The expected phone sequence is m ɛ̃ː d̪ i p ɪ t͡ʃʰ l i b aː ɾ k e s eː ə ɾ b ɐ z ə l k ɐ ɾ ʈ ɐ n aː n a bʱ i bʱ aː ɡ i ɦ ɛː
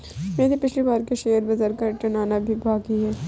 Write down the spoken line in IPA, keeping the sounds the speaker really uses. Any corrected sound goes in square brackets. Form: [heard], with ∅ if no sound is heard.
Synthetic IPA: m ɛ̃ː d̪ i p ɪ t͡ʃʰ l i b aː ɾ k e [ʃ] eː ə ɾ b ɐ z ə [ɾ] k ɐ ɾ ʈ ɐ n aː n a bʱ i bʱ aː ɡ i ɦ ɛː